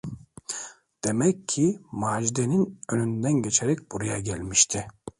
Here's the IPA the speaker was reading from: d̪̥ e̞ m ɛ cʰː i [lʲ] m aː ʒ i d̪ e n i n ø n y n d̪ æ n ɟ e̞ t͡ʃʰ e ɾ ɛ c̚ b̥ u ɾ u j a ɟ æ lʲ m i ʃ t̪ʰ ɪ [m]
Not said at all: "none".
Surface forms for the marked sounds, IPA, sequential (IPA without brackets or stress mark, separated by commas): none, none